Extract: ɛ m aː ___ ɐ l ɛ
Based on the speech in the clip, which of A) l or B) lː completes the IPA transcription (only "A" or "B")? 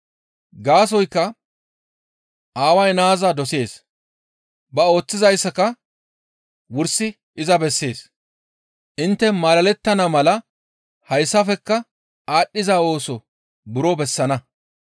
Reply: A